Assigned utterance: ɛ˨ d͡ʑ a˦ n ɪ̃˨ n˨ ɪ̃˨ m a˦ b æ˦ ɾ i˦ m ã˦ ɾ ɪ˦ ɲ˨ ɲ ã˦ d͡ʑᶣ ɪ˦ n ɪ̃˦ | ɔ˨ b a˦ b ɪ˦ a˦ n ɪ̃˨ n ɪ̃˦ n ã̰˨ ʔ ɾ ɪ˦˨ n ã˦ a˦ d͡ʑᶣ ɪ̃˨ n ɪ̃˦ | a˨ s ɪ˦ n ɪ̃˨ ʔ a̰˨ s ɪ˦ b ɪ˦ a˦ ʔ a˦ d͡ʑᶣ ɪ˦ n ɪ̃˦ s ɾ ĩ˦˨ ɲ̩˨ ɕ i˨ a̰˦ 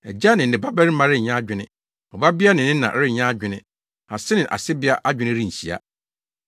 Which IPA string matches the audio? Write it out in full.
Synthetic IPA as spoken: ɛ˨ d͡ʑ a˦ n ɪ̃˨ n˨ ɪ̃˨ b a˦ b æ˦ ɾ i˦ m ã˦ ɾ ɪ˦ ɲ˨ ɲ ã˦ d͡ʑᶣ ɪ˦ n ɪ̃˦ | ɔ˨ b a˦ b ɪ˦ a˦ n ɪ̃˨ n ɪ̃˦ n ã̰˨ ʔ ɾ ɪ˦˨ ɲ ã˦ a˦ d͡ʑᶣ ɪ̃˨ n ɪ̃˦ | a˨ s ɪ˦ n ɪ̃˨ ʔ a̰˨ s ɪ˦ b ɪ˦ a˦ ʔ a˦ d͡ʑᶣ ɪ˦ n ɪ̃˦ ɾ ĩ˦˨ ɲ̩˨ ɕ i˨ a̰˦